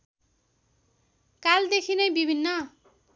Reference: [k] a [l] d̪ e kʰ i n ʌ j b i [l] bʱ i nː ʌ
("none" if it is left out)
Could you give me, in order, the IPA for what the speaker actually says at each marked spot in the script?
k, l, none

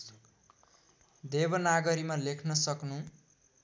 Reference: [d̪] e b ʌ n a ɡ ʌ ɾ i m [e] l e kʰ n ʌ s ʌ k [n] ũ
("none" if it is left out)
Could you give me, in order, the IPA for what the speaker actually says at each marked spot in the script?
d̪, a, n

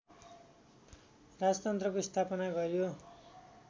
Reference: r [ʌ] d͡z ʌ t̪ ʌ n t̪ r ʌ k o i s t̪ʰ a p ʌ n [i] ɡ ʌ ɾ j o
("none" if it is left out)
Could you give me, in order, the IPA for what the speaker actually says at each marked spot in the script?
a, a

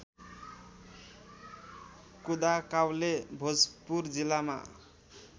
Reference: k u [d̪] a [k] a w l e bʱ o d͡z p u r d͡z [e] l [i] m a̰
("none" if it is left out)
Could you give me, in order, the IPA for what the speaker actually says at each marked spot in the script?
d̪, k, i, a

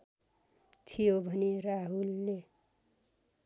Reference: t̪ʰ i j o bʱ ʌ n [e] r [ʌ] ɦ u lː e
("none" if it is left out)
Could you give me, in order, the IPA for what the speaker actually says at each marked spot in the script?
e, a

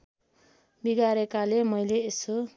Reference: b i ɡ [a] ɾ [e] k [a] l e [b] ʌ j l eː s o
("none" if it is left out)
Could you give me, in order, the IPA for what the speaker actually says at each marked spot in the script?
a, e, a, m

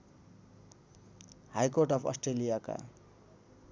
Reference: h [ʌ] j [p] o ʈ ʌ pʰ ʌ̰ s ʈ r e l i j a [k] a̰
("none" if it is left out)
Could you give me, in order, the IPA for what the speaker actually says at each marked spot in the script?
a, k, k

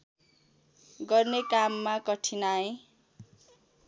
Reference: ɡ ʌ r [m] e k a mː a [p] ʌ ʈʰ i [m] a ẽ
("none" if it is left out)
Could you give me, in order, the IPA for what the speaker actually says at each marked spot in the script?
n, k, n

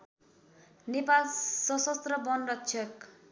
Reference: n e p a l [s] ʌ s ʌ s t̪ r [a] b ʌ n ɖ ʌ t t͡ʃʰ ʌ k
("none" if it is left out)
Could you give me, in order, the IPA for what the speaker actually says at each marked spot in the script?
s, ʌ

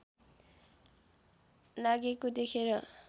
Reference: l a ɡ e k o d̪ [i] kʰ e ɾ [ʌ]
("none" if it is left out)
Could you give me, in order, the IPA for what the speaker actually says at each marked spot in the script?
e, ʌ

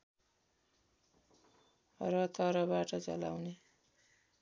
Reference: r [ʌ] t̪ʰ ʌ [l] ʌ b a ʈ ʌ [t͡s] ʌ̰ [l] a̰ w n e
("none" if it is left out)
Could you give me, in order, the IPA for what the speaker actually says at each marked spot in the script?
ʌ, ɾ, t͡s, l

